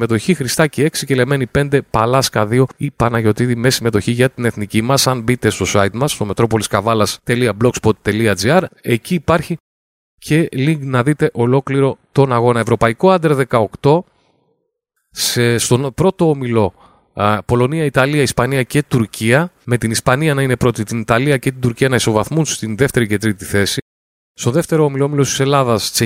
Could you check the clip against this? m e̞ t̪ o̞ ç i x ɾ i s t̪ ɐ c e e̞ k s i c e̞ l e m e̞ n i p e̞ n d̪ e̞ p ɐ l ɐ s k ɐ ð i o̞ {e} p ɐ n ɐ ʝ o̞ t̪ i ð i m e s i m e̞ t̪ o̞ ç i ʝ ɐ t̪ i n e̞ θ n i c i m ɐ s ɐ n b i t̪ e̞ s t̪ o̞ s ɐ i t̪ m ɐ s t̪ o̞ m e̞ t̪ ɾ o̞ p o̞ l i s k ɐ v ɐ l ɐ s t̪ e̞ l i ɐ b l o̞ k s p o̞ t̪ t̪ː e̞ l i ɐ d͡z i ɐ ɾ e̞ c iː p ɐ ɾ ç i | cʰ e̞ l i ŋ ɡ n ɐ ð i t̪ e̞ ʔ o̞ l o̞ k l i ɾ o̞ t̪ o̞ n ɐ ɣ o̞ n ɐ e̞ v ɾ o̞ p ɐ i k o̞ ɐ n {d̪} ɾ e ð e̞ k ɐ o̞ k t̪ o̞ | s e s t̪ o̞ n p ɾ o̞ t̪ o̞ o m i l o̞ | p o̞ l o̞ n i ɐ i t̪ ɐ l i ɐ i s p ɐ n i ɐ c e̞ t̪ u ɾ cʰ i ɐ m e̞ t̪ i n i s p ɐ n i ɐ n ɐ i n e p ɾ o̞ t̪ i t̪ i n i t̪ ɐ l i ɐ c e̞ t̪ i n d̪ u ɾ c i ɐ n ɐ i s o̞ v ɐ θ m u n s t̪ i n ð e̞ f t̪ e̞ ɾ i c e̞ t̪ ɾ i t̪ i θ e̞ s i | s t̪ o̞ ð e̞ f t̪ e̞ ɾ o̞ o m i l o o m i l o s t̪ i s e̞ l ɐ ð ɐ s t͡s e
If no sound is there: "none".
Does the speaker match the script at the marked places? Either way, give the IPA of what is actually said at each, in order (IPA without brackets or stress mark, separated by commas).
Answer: i, d̪